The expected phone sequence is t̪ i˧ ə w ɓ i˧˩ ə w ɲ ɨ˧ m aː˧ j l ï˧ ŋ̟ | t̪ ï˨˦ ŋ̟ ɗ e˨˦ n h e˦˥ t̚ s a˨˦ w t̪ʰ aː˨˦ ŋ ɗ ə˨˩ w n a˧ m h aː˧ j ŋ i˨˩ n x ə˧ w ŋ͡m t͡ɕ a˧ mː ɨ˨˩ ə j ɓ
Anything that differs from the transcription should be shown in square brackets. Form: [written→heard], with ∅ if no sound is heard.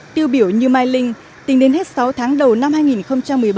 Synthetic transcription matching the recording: t̪ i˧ ə w ɓ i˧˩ ə w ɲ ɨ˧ m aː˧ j l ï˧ ŋ̟ | t̪ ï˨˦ ŋ̟ ɗ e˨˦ n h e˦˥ t̚ s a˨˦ w t̪ʰ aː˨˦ ŋ ɗ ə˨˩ w n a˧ m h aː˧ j ŋ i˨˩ n x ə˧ w ŋ͡m t͡ɕ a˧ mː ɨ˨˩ ə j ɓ